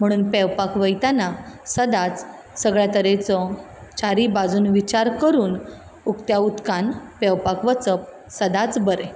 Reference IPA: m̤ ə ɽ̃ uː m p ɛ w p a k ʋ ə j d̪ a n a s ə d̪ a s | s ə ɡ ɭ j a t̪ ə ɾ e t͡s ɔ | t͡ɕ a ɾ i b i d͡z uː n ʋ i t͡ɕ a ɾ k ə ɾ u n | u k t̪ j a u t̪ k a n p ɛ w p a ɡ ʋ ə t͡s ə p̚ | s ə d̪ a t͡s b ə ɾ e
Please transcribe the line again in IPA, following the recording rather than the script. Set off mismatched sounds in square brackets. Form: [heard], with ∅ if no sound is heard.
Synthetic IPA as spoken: m̤ ə ɽ̃ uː [n] p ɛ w p a k ʋ ə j [t̪] a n a s ə d̪ a [t͡s] | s ə ɡ ɭ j a t̪ ə ɾ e t͡s ɔ | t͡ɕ a ɾ i b [a] d͡z uː n ʋ i t͡ɕ a ɾ k ə ɾ [uː] n | u k t̪ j a u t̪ k a n p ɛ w p a [k] ʋ ə t͡s ə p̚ | s ə d̪ a t͡s b ə ɾ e